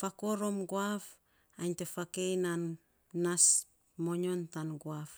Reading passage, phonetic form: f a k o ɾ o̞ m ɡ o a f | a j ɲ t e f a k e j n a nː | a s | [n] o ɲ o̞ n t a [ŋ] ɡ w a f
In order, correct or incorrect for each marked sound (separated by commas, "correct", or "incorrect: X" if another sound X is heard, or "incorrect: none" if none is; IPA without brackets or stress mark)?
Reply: incorrect: m, incorrect: n